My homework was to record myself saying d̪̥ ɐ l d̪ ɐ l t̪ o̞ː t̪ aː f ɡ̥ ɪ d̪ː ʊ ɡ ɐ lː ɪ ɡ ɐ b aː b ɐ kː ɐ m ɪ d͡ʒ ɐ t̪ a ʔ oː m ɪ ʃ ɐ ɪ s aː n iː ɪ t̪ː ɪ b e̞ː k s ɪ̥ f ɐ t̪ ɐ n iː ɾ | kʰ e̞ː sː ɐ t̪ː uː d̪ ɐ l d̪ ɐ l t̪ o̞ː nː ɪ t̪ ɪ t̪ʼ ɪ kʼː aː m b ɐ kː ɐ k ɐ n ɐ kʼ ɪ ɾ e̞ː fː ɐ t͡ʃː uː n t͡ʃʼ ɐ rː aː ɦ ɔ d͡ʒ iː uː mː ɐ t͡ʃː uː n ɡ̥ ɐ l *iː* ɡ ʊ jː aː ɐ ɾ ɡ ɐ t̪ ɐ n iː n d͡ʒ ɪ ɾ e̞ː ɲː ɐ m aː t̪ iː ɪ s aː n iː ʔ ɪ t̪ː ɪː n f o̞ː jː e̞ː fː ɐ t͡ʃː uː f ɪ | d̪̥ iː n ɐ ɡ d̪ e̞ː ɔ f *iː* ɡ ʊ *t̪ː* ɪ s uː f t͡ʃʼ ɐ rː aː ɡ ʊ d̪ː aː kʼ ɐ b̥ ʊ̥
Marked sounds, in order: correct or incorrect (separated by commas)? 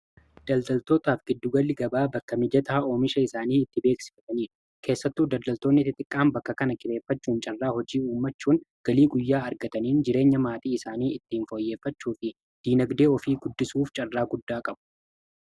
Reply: correct, correct, incorrect